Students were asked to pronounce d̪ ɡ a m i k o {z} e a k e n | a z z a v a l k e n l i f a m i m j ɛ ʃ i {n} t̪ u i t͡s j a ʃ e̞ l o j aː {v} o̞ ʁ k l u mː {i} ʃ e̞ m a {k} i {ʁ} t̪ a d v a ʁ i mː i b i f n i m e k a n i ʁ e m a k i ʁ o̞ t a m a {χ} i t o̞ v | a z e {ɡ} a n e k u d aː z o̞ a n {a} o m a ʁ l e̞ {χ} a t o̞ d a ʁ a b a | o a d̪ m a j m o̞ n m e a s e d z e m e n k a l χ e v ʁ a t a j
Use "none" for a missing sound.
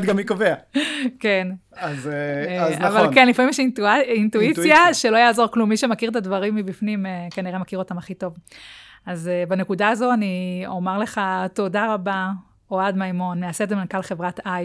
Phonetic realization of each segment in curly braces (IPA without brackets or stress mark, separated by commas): v, n, z, i, k, ʁ, χ, b, i, χ